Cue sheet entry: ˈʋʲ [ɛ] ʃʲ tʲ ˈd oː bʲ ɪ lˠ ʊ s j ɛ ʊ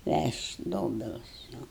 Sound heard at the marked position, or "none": æ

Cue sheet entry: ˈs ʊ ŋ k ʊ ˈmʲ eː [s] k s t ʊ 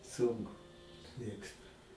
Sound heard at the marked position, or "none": none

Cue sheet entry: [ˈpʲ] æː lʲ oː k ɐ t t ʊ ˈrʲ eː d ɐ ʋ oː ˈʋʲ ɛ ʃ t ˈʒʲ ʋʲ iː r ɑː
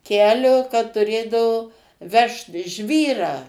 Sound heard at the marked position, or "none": kʲ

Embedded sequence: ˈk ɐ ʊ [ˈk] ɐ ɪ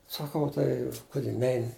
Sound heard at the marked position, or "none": t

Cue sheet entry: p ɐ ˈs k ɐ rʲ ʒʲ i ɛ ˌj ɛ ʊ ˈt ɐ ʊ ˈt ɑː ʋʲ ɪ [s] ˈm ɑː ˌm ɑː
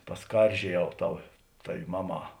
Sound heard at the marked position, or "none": none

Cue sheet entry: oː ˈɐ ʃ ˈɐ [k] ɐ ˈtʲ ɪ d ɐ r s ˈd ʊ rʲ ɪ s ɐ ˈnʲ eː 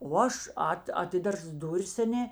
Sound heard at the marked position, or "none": t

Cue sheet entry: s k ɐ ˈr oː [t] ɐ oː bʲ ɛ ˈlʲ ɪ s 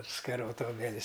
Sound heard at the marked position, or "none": t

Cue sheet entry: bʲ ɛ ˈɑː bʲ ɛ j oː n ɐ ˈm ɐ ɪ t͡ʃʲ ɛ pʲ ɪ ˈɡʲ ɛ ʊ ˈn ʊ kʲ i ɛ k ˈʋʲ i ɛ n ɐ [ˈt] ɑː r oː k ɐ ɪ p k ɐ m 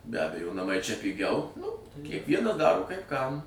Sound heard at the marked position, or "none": d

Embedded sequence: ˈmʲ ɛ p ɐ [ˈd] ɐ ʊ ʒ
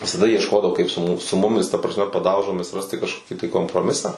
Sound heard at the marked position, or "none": d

